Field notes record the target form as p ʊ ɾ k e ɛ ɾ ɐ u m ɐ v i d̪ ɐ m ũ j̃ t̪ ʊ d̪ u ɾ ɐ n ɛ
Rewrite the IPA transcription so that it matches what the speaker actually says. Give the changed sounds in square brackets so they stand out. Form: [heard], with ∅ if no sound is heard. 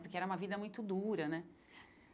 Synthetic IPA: p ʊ ɾ k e ɛ ɾ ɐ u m ɐ v i d̪ ɐ m ũ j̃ t̪ ʊ d̪ u ɾ ɐ n ɛ